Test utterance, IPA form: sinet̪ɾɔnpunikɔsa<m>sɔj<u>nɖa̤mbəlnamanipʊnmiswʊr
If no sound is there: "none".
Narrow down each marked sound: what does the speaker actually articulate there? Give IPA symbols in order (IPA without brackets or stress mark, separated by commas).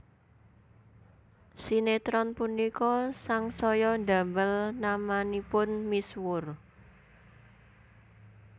ŋ, ɔ